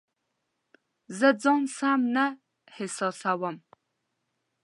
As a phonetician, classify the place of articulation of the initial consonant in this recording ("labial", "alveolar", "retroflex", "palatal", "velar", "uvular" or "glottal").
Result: alveolar